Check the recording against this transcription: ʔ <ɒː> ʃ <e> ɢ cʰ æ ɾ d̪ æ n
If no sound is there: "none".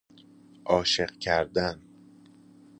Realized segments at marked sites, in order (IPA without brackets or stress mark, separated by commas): ɒː, e